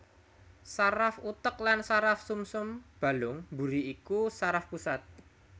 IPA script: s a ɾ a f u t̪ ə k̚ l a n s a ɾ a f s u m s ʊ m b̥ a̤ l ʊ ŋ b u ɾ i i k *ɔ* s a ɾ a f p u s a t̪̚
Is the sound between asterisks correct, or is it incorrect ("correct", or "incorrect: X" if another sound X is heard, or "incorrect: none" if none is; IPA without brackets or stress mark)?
incorrect: u